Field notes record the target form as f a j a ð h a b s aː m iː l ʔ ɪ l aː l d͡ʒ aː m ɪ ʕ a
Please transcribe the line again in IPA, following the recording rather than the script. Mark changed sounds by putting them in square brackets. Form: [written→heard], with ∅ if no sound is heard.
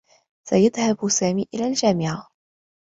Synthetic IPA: [f→s] a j a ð h a b s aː m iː [l→∅] ʔ ɪ l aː l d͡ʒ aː m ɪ ʕ a